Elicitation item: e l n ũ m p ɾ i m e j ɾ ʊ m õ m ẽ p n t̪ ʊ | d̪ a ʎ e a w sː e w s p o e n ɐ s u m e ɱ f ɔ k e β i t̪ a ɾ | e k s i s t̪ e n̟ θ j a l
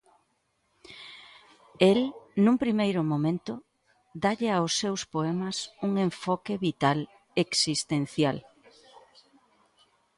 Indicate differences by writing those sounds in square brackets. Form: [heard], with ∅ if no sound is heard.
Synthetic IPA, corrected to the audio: e l n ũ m p ɾ i m e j ɾ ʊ m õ m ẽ [∅] n t̪ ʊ | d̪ a ʎ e a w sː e w s p o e [m] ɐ s u [ŋ] e ɱ f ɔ k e β i t̪ a [l] | e k s i s t̪ e n̟ θ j a l